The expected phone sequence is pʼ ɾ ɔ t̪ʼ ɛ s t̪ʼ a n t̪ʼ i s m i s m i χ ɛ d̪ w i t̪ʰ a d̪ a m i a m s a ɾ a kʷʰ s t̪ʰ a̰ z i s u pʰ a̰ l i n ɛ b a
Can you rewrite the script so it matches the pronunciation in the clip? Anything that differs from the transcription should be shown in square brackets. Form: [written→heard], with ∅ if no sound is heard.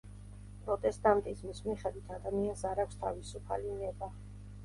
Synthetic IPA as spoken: pʼ ɾ ɔ t̪ʼ ɛ s t̪ʼ a n t̪ʼ i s m i s m i χ ɛ d̪ w i t̪ʰ a d̪ a m i a [m→n] s a ɾ a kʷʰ s t̪ʰ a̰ [z→v] i s u pʰ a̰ l i n ɛ b a